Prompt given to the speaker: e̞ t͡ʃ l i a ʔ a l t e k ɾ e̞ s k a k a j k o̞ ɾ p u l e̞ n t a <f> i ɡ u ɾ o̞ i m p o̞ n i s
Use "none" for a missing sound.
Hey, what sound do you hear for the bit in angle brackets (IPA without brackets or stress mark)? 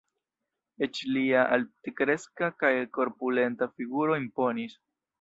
f